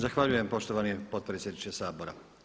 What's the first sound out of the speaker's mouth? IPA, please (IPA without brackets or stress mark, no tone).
z